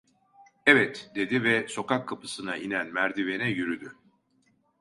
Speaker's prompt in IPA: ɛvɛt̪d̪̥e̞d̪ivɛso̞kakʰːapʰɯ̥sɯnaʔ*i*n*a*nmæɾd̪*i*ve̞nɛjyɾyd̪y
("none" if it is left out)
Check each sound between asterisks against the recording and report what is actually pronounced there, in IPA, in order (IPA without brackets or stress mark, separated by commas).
i, æ, i